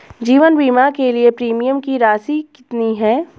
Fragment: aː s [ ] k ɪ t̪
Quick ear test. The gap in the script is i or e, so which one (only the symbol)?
i